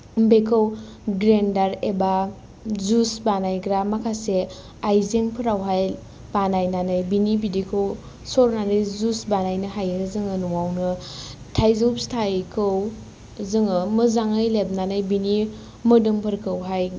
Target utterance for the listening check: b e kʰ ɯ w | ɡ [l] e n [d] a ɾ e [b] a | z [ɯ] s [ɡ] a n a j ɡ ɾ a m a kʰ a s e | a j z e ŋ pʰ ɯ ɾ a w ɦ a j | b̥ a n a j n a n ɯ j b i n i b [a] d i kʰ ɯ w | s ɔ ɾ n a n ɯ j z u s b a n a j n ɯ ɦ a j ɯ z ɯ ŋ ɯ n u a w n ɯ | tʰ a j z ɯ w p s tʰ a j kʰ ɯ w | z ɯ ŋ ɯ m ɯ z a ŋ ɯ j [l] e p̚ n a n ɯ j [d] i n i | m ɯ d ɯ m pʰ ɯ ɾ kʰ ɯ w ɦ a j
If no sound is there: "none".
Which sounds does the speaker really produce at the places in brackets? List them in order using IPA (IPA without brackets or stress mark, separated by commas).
ɾ, d, b, u, b, i, l, b